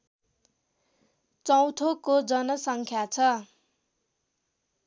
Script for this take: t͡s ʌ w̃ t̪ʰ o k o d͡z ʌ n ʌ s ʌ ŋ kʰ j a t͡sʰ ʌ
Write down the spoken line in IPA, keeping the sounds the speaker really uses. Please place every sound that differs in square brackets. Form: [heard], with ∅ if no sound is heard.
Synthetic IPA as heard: t͡s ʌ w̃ t̪ʰ o k o d͡z ʌ n ʌ s ʌ ŋ kʰ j a t͡sʰ ʌ